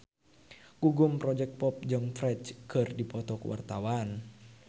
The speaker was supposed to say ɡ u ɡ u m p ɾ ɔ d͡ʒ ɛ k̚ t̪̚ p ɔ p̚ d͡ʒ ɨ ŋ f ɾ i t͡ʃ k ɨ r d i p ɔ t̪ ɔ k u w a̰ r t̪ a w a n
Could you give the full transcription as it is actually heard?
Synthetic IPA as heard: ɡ u ɡ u m p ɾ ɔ d͡ʒ ɛ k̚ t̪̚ p ɔ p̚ d͡ʒ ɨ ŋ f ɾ ɛ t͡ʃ k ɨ r d i p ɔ t̪ ɔ k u w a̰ r t̪ a w a n